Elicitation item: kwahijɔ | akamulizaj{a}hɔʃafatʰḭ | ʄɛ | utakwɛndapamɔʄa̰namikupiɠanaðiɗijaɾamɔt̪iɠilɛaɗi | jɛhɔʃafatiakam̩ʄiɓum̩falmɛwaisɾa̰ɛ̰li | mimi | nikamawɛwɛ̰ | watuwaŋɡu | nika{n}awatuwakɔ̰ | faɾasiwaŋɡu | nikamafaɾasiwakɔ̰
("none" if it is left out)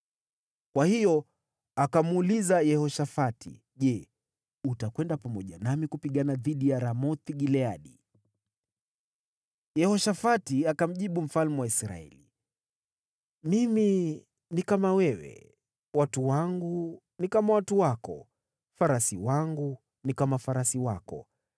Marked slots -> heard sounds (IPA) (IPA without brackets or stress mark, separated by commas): ɛ, m